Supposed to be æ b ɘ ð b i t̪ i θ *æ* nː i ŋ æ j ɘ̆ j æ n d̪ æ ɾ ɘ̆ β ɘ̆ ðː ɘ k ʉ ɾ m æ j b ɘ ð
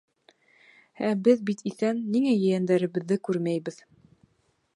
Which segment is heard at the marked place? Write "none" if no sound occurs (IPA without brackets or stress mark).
æ